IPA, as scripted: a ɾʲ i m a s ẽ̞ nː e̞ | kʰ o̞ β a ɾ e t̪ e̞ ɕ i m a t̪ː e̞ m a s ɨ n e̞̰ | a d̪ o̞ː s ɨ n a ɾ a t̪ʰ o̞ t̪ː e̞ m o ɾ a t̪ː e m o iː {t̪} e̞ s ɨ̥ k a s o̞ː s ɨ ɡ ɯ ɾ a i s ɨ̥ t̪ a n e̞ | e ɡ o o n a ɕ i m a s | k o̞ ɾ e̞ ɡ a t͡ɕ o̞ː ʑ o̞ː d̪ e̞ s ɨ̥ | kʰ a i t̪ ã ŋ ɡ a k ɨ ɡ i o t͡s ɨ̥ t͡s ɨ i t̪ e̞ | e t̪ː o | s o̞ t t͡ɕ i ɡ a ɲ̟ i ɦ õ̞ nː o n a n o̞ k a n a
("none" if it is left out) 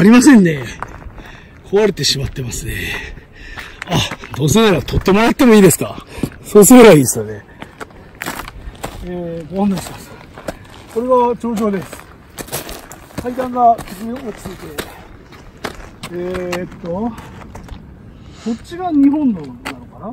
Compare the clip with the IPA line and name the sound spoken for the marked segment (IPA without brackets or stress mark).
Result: d̪